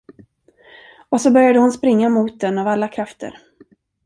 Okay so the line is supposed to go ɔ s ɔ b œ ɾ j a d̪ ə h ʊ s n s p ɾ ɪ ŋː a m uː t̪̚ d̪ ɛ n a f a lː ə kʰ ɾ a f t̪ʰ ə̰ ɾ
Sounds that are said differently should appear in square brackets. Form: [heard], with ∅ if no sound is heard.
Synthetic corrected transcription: ɔ s ɔ b œ ɾ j a d̪ ə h ʊ [∅] n s p ɾ ɪ ŋː a m uː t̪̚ d̪ ɛ n a [v] a lː [a] kʰ ɾ a f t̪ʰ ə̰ ɾ